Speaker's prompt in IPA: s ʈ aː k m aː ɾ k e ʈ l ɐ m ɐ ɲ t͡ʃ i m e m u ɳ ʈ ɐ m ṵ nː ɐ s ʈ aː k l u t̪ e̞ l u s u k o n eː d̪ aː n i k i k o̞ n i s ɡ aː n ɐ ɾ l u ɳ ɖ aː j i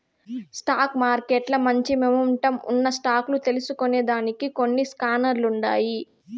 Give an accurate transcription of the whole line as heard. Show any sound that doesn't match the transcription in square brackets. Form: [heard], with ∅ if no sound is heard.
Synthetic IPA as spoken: s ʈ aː k m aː ɾ k e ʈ l ɐ m ɐ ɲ t͡ʃ i m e m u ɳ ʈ ɐ m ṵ nː ɐ s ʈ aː k l u t̪ e̞ l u s u k o n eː d̪ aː n i k i k o̞ [nː] i s [k] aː n ɐ ɾ l u ɳ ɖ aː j i